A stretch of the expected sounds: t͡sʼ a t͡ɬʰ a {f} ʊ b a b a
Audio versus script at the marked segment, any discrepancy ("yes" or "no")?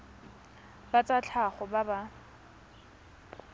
yes